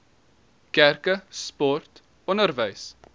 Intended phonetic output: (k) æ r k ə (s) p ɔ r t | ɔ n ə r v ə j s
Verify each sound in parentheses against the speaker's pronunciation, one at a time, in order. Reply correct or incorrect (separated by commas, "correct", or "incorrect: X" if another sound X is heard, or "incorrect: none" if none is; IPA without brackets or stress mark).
correct, correct